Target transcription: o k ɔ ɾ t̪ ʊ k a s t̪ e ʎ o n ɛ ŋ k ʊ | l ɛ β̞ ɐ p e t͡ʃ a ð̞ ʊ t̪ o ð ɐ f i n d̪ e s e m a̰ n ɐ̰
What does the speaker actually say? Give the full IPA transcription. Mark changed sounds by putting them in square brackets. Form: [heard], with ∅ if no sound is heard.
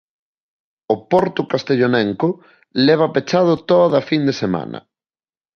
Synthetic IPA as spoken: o [p] ɔ ɾ t̪ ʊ k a s t̪ e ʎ o n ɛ ŋ k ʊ | l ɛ β̞ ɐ p e t͡ʃ a ð̞ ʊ t̪ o ð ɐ f i n d̪ e s e m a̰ n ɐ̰